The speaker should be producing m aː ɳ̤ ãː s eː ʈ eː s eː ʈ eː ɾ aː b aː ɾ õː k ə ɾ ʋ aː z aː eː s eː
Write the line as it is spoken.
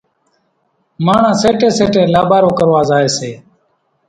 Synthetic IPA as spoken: m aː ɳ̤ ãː s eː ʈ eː s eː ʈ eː l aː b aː ɾ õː k ə ɾ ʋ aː z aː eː s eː